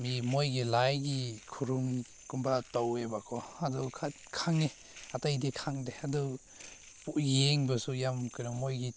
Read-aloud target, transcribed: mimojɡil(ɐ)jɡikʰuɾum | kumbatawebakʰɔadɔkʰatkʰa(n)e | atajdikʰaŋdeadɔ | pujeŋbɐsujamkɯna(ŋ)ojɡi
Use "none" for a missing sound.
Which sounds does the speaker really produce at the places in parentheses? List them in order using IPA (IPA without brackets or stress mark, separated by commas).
a, ŋ, m